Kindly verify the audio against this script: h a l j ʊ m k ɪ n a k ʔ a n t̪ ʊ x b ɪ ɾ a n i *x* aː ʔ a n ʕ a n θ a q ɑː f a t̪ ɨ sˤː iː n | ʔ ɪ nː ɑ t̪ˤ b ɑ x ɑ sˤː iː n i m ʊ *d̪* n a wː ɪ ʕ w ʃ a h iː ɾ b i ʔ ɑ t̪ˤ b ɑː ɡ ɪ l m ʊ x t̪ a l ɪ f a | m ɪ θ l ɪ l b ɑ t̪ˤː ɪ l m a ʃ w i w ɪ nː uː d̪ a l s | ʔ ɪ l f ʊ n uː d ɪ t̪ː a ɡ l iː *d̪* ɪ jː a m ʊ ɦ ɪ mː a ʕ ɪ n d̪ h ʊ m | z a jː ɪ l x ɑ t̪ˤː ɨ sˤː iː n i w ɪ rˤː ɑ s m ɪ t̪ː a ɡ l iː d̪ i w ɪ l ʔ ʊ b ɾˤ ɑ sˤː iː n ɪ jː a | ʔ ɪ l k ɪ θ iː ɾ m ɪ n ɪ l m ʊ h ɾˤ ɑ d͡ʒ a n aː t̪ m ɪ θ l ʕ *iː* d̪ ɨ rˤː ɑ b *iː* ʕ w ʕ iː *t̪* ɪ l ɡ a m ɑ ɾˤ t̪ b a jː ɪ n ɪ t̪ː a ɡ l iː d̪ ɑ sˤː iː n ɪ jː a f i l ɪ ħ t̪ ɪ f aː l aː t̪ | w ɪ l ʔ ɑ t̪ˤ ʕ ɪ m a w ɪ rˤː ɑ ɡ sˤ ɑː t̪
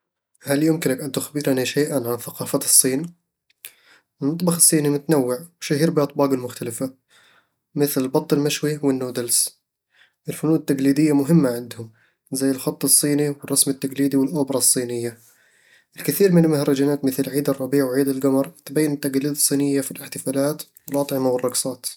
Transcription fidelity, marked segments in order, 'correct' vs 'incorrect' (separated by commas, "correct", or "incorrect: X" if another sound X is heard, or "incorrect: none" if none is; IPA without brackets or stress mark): incorrect: ʃ, incorrect: t̪, correct, correct, correct, incorrect: d̪